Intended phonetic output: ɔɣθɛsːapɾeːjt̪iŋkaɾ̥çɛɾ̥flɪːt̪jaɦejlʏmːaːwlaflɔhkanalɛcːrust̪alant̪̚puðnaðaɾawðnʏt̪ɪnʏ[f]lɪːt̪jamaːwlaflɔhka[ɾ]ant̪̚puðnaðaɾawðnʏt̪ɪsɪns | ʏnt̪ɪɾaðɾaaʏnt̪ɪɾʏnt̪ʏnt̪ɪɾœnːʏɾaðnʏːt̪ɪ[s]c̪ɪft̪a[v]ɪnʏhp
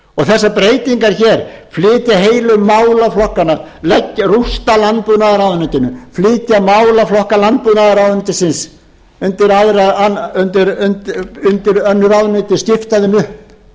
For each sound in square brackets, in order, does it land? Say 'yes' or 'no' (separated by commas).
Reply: yes, no, yes, no